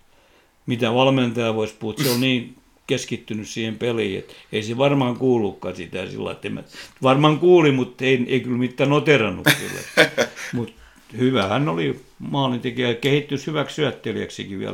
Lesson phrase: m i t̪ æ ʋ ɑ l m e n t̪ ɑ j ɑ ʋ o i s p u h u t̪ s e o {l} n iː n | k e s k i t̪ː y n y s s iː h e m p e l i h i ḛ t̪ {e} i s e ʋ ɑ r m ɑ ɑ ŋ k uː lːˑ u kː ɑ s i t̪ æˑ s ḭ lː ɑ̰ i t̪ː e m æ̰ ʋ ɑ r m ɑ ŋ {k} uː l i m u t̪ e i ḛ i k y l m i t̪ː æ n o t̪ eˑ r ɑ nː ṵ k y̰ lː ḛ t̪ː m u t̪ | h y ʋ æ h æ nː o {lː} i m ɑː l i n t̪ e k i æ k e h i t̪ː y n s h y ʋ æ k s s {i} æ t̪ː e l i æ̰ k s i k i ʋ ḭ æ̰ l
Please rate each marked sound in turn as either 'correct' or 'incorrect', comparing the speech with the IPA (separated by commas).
correct, correct, correct, incorrect, incorrect